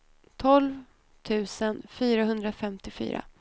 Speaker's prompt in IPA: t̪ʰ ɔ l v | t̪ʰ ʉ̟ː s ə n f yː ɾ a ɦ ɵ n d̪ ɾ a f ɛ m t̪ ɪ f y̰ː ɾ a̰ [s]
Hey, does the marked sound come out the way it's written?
no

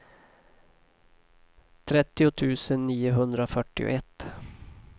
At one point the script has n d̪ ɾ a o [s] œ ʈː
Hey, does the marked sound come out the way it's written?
no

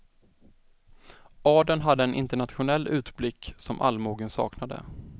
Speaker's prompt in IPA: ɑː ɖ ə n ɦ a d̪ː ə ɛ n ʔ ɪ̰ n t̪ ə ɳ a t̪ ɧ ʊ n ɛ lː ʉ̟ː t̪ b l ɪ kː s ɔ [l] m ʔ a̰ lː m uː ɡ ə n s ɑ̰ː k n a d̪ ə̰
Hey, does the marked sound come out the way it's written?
no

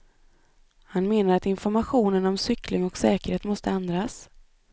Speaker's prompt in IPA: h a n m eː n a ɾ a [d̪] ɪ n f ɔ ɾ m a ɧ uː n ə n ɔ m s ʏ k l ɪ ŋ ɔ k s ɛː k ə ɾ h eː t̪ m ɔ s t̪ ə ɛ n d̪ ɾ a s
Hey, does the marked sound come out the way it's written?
no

